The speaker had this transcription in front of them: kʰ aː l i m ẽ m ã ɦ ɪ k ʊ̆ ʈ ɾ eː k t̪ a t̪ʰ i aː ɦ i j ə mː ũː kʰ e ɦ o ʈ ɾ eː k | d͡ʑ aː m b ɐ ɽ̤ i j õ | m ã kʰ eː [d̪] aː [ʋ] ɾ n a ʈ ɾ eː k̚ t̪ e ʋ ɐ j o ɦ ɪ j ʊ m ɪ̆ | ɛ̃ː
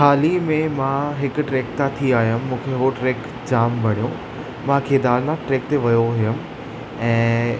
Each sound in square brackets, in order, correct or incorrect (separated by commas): correct, incorrect